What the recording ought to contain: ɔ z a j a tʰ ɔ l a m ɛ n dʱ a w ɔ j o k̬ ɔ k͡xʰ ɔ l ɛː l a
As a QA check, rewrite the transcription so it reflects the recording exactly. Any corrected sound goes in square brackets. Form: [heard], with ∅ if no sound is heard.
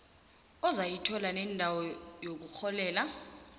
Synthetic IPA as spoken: ɔ z a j [i] tʰ ɔ l a [n] ɛ n dʱ a w ɔ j o k̬ [u] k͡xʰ ɔ l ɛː l a